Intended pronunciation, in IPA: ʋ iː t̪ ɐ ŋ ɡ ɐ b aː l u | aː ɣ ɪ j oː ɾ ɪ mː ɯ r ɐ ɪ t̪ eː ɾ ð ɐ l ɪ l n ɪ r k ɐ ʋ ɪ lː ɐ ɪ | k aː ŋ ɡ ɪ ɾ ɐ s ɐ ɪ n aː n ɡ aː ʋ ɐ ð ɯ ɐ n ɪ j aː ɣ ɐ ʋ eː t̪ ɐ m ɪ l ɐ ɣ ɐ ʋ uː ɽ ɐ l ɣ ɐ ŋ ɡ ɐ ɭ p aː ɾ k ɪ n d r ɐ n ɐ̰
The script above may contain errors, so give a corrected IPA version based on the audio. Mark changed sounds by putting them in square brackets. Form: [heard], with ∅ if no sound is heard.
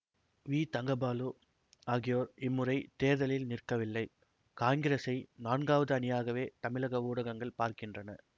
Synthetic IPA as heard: ʋ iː t̪ ɐ ŋ ɡ ɐ b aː l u | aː ɣ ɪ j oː ɾ ɪ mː ɯ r ɐ ɪ t̪ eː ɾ ð ɐ l ɪ l n ɪ r k ɐ ʋ ɪ lː ɐ ɪ | k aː ŋ ɡ ɪ ɾ ɐ s ɐ ɪ n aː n ɡ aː ʋ ɐ ð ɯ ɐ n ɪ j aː ɣ ɐ ʋ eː t̪ ɐ m ɪ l ɐ ɣ ɐ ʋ uː ɽ ɐ [∅] ɣ ɐ ŋ ɡ ɐ ɭ p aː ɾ k ɪ n d r ɐ n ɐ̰